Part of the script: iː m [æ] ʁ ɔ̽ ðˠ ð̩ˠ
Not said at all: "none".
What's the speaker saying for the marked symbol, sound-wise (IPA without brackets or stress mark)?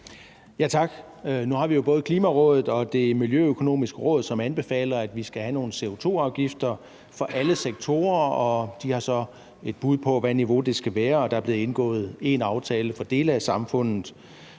æ